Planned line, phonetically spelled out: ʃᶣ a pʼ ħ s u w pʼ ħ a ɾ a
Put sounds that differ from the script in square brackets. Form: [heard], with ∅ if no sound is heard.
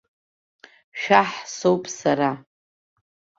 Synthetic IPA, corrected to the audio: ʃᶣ a [∅] ħ s [o] w pʼ [s] a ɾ a